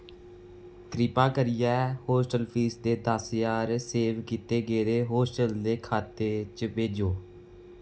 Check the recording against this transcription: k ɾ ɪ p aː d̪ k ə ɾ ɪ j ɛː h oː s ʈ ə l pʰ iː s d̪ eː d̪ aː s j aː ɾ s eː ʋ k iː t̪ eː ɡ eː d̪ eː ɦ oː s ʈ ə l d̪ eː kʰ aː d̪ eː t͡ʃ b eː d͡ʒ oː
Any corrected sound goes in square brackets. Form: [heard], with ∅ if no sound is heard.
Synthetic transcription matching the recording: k ɾ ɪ p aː [∅] k ə ɾ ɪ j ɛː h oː s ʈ ə l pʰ iː s d̪ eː d̪ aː s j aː ɾ s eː ʋ k iː t̪ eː ɡ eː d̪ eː ɦ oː s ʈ ə l d̪ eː kʰ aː [t̪] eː t͡ʃ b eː d͡ʒ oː

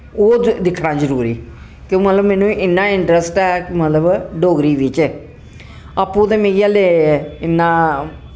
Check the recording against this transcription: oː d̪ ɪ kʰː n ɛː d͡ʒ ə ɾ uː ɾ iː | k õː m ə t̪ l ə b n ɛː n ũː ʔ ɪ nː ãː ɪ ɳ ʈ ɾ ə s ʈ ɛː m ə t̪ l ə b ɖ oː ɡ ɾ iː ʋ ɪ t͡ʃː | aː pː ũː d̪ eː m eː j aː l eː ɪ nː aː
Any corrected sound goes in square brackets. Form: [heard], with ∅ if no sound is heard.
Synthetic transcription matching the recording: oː d̪ ɪ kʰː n [aː] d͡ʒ ə ɾ uː ɾ iː | k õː m ə t̪ l ə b [m] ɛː n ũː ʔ ɪ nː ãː ɪ ɳ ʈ ɾ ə s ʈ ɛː m ə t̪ l ə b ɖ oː ɡ ɾ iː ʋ ɪ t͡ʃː | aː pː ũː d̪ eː m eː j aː l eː ɪ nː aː

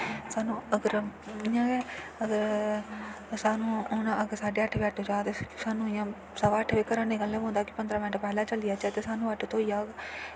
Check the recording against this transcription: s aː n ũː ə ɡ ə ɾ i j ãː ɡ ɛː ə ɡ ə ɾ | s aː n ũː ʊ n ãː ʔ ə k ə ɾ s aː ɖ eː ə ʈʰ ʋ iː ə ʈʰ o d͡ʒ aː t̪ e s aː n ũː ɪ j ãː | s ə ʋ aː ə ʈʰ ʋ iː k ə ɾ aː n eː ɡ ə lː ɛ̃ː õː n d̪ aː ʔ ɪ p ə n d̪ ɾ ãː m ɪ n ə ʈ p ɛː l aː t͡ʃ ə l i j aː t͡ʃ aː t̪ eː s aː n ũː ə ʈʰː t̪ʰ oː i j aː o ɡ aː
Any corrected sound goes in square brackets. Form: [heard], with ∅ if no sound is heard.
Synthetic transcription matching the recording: s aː n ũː ə ɡ ə ɾ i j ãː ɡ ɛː ə ɡ ə ɾ | s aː n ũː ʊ n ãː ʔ ə [ɡ] ə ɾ s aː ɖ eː ə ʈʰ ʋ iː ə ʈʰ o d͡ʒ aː t̪ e s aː n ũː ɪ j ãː | s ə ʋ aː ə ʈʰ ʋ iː k ə ɾ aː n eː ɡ ə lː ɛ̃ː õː n d̪ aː [k] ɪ p ə n d̪ ɾ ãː m ɪ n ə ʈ p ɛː l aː t͡ʃ ə l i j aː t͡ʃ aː t̪ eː s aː n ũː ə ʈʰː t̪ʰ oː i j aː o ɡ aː

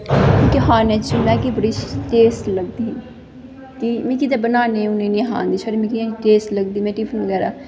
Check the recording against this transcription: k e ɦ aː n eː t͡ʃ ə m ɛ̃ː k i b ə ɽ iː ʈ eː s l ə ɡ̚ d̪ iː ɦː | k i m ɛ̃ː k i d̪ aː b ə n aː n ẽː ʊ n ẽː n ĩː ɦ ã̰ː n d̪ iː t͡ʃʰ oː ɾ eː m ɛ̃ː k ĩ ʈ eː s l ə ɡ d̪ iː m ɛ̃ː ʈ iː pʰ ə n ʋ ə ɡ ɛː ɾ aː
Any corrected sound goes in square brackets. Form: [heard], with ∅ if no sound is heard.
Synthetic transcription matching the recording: k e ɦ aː n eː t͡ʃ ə m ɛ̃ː k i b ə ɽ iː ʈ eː s l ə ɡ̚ d̪ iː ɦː | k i m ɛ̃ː k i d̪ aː b ə n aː n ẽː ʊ n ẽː n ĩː ɦ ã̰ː n d̪ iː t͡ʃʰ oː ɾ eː m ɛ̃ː k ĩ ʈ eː s l ə ɡ d̪ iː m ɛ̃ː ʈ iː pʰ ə n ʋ ə ɡ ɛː ɾ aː

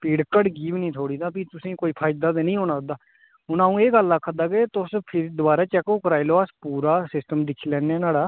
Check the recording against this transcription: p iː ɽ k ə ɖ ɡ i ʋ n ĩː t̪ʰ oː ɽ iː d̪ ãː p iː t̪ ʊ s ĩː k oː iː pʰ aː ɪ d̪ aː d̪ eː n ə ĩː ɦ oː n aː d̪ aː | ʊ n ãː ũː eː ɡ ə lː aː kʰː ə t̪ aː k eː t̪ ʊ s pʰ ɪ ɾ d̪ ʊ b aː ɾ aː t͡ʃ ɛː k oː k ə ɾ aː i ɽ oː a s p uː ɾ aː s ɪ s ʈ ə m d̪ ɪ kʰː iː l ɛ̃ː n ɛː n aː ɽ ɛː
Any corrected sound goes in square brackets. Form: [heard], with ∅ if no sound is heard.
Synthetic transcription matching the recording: p iː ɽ k ə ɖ ɡ [iː] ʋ n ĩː t̪ʰ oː ɽ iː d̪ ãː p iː t̪ ʊ s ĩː k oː iː pʰ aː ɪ d̪ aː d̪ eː n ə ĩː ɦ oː n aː d̪ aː | ʊ n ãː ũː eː ɡ ə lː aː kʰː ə [d̪] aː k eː t̪ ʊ s pʰ ɪ ɾ d̪ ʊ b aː ɾ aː t͡ʃ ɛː k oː k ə ɾ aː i [l] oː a s p uː ɾ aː s ɪ s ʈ ə m d̪ ɪ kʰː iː l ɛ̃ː n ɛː n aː ɽ [aː]

